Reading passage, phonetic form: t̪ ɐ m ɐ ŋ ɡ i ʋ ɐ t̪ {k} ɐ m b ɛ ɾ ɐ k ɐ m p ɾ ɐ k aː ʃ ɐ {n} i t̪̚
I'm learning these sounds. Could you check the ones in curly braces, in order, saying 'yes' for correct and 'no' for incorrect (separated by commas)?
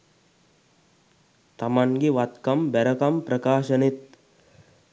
yes, yes